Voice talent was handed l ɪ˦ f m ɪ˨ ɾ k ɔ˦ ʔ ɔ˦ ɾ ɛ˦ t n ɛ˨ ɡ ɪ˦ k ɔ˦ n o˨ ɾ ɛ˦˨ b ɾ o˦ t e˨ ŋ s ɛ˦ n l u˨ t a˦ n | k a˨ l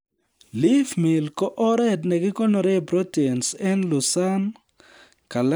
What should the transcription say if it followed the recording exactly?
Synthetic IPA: l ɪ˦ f m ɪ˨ l k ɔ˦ ʔ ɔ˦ ɾ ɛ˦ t n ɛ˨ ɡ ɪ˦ k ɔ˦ n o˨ ɾ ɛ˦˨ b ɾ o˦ t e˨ n s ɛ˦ n l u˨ s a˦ n | k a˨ l